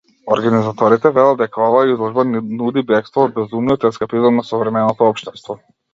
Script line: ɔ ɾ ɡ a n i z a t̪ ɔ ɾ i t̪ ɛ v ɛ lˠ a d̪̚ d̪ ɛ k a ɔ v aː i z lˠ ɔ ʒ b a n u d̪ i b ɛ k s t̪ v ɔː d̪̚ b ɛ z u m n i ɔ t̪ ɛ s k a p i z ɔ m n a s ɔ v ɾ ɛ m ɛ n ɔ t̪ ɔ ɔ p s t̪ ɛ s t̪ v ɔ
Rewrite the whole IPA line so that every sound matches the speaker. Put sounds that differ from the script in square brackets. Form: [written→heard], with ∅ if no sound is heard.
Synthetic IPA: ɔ ɾ ɡ a n i z a t̪ ɔ ɾ i t̪ ɛ v ɛ lˠ a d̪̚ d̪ ɛ k a ɔ v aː i z lˠ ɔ ʒ b a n u d̪ i b ɛ k s t̪ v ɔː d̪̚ b ɛ z u m n i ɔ t̪ ɛ s k a p i z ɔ m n a s ɔ v ɾ ɛ m ɛ n ɔ t̪ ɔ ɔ p [s→ʃ] t̪ ɛ s t̪ v ɔ